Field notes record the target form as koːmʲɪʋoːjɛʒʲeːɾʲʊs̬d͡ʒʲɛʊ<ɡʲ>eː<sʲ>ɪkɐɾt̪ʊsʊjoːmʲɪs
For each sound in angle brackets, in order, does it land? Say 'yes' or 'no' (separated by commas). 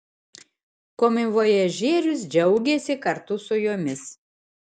yes, yes